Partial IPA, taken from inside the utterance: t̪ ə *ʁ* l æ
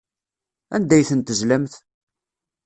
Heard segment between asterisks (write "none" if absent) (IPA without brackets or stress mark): z